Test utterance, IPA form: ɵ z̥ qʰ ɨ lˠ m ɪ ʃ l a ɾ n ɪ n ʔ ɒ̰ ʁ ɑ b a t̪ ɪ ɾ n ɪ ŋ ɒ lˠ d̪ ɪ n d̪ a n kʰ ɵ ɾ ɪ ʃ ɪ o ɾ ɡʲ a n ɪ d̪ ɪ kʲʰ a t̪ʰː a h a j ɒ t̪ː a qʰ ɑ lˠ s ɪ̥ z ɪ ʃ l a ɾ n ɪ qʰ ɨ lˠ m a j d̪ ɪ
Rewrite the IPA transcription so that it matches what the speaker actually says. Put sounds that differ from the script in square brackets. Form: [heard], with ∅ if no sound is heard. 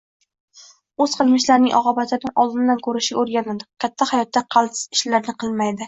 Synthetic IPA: ɵ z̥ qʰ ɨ lˠ m ɪ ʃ l a ɾ n ɪ [ŋ] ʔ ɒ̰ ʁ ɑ b a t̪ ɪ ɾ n ɪ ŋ ɒ lˠ d̪ ɪ n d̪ a n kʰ ɵ ɾ ɪ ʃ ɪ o ɾ ɡʲ a n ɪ d̪ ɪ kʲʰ a t̪ʰː a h a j ɒ t̪ː a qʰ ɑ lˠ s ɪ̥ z ɪ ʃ l a ɾ n ɪ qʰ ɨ lˠ m a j d̪ ɪ